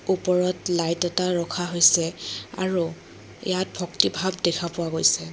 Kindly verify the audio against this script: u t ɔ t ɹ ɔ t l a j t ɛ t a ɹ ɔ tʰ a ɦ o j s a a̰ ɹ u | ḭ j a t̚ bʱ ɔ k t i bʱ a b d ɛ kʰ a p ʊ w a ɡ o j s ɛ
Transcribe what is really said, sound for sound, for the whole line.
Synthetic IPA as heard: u p ɔ ɹ ɔ t l a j t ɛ t a ɹ ɔ kʰ a ɦ o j s ɛ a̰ ɹ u | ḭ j a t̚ bʱ ɔ k t i bʱ a b d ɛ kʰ a p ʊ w a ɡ o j s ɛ